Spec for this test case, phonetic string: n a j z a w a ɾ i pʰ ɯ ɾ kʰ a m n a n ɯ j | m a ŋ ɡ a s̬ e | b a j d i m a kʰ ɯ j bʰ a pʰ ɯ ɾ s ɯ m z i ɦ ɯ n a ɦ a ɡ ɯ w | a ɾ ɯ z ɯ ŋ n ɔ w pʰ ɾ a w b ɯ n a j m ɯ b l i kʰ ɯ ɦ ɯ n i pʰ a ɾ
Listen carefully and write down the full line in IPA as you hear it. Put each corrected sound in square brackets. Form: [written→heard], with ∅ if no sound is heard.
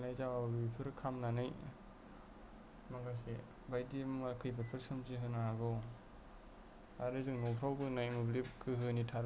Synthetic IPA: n a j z a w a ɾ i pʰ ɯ ɾ kʰ a m n a n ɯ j | m a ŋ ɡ a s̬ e | b a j d i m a kʰ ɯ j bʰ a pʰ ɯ ɾ s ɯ m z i ɦ ɯ n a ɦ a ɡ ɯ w | a ɾ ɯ z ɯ ŋ n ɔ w pʰ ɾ a w b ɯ n a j m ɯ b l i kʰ ɯ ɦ ɯ n i [pʰ→tʰ] a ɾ